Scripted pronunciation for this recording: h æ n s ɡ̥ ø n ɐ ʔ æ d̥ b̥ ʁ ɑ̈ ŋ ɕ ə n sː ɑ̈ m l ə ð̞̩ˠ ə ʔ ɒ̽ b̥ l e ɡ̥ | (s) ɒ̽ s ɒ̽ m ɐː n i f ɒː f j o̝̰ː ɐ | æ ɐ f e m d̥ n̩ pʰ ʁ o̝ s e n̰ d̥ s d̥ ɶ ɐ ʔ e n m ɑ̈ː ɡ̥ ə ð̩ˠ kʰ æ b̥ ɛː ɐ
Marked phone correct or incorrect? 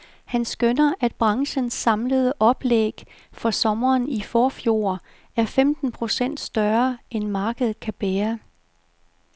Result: incorrect